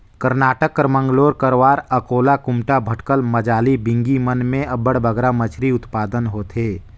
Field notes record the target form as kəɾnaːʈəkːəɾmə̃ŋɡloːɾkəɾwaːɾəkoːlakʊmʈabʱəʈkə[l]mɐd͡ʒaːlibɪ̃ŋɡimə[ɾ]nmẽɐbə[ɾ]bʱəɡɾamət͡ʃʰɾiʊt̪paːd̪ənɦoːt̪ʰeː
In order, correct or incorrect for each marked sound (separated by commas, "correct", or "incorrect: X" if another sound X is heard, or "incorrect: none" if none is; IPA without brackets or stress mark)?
correct, incorrect: none, incorrect: ɽ